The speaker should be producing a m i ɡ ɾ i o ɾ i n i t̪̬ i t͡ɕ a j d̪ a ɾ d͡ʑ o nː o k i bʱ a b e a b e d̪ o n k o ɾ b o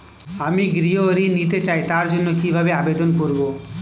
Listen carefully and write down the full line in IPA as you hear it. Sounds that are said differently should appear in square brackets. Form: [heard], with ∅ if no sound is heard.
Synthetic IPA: a m i ɡ ɾ i o ɾ i n i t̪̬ [e] t͡ɕ a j [t̪] a ɾ d͡ʑ o nː o k i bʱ a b e a b e d̪ o n k o ɾ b o